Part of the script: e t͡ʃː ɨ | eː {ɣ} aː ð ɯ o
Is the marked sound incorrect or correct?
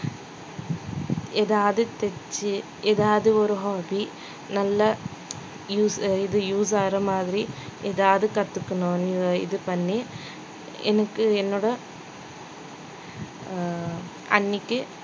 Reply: incorrect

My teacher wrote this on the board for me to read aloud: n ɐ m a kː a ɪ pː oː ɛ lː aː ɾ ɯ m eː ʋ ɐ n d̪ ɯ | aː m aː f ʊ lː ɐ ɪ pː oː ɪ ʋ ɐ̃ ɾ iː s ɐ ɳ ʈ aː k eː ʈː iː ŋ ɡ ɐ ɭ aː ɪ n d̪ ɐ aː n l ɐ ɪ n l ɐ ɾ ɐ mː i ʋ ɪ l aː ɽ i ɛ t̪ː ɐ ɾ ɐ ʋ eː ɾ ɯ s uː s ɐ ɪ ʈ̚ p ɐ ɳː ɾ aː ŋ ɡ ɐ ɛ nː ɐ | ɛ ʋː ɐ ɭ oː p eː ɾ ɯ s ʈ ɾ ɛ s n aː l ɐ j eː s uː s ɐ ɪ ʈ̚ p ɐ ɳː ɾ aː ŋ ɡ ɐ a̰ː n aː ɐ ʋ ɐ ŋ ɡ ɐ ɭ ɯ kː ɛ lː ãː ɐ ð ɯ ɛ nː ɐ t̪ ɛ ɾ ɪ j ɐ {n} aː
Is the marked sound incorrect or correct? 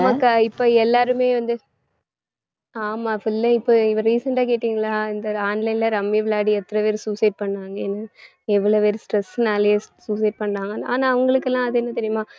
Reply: incorrect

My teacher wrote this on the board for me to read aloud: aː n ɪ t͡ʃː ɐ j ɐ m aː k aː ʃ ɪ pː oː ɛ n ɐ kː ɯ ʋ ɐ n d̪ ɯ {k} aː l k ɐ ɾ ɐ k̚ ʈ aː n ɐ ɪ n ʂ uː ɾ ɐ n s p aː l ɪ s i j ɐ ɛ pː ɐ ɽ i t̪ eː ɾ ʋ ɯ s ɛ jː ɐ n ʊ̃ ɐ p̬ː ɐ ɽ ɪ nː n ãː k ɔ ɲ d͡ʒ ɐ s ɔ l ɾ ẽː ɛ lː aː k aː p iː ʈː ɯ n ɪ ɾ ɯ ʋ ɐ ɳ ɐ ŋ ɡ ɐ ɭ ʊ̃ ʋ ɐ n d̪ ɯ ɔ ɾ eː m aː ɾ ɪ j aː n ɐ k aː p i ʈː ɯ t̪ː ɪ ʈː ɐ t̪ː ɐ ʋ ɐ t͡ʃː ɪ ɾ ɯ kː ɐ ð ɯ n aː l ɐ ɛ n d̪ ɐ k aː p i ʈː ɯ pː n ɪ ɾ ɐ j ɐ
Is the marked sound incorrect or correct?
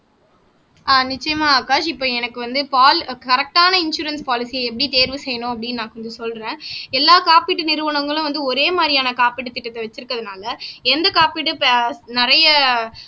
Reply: incorrect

